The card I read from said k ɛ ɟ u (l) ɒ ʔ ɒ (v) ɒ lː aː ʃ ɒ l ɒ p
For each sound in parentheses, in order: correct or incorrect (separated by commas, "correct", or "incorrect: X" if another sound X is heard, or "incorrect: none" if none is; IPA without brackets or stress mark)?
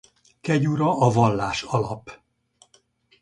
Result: incorrect: ɾ, correct